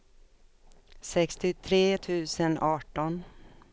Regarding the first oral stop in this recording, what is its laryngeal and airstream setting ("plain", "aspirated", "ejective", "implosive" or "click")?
plain